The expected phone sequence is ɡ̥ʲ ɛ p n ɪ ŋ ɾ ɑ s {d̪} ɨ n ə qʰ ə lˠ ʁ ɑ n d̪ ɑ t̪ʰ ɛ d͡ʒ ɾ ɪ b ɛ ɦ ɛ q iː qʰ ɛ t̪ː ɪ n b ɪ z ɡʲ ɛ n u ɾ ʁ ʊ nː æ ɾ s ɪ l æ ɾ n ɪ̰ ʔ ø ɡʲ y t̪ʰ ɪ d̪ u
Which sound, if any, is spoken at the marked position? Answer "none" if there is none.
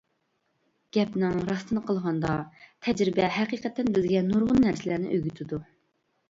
t̪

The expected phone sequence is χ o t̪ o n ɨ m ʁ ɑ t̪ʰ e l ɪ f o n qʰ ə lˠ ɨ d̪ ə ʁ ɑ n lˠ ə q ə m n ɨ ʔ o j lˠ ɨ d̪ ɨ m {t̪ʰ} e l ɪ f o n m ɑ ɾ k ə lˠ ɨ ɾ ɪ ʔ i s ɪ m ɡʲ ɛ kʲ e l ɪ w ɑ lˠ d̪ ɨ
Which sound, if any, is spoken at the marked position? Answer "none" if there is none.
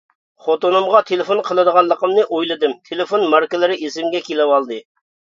t̪ʰ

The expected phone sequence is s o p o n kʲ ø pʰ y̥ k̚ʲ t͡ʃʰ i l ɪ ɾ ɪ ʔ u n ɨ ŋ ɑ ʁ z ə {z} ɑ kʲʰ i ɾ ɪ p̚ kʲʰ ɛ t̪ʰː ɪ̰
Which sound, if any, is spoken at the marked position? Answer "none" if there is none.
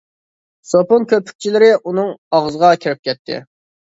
ʁ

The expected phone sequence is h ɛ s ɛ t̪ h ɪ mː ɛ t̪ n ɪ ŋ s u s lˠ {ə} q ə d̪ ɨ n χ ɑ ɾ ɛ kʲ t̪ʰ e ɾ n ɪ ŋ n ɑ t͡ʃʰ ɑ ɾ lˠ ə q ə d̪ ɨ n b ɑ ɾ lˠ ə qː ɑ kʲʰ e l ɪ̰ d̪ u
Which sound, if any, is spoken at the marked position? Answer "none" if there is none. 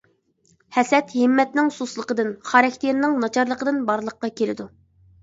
ə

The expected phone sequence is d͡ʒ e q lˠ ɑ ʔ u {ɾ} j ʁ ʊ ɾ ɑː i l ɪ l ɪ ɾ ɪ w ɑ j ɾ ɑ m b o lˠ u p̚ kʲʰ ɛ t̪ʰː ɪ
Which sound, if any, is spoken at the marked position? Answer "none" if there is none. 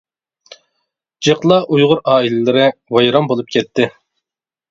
none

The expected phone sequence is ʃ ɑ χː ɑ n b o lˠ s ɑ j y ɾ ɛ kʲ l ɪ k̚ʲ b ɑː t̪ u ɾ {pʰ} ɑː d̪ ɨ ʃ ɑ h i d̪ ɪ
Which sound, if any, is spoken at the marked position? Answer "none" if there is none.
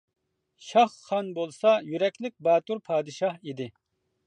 pʰ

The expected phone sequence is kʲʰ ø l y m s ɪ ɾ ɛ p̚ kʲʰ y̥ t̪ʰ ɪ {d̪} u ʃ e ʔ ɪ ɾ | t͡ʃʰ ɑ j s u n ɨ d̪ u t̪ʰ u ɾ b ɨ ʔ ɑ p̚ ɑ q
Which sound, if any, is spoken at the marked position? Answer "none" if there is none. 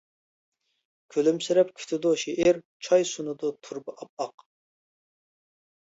d̪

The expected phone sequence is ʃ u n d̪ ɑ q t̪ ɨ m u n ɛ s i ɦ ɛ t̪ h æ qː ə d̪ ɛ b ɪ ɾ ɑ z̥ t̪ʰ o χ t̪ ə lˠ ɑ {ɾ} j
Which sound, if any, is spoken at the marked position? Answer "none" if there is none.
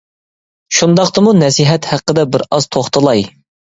none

